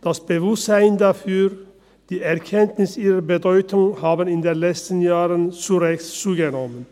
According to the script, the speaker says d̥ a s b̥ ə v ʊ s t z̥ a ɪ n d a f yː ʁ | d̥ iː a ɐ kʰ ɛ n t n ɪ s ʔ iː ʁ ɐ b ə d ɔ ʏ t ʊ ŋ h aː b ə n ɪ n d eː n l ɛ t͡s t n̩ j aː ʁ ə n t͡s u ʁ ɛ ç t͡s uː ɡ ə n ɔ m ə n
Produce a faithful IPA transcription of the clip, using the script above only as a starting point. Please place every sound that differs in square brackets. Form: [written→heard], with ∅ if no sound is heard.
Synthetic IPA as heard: d̥ a s b̥ ə v ʊ s t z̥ a ɪ n d a f yː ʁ | d̥ iː [a→ɛ] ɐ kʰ ɛ n t n ɪ s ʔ iː ʁ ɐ b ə d ɔ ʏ t ʊ ŋ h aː b ə n ɪ n d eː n l ɛ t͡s t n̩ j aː ʁ ə n t͡s u ʁ ɛ ç t͡s uː ɡ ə n ɔ m ə n